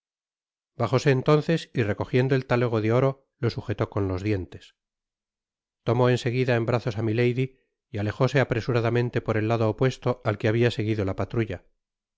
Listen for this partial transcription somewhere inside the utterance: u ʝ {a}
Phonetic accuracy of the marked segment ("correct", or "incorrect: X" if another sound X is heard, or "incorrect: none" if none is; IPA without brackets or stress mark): correct